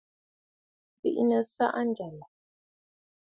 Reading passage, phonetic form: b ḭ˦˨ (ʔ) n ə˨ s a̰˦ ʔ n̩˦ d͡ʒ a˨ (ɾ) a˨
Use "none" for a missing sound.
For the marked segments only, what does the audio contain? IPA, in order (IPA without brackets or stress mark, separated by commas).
ʔ, l